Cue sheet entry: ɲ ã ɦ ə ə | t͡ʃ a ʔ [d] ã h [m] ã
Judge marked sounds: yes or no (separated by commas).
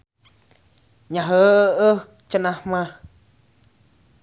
no, yes